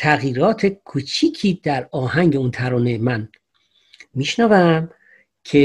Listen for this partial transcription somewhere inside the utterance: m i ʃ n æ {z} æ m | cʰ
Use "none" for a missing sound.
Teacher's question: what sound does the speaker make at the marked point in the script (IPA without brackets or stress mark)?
v